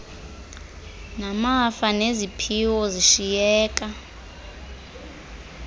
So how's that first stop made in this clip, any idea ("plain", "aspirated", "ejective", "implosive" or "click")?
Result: aspirated